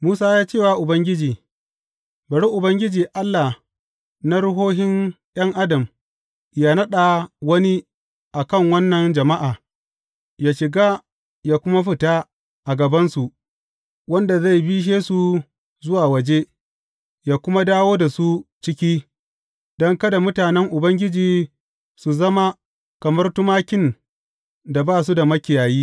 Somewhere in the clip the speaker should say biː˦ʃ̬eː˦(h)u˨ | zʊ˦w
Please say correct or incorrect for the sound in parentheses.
incorrect